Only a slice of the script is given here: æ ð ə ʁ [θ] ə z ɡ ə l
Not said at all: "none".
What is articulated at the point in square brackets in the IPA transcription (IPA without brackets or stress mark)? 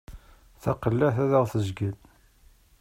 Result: θ